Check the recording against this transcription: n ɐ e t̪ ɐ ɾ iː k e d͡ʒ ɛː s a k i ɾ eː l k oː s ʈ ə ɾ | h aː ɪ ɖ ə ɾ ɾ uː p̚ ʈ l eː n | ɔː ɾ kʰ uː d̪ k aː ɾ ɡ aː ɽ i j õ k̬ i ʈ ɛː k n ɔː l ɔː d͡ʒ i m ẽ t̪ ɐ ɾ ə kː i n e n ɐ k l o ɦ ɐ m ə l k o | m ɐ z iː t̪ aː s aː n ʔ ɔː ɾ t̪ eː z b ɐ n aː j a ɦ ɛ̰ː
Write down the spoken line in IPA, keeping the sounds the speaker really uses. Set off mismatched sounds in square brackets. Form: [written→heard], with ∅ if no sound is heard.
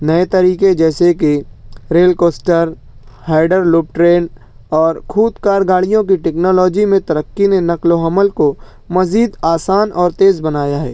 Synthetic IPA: n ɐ e t̪ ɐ ɾ iː k e d͡ʒ ɛː s [a→e] k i ɾ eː l k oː s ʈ ə ɾ | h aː ɪ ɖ ə ɾ [ɾ→l] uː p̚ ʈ [l→ɾ] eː n | ɔː ɾ kʰ uː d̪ k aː ɾ ɡ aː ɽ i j õ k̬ i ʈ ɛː k n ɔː l ɔː d͡ʒ i m ẽ t̪ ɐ ɾ ə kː i n e n ɐ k l o ɦ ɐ m ə l k o | m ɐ z iː [t̪→d̪] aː s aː n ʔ ɔː ɾ t̪ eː z b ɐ n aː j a ɦ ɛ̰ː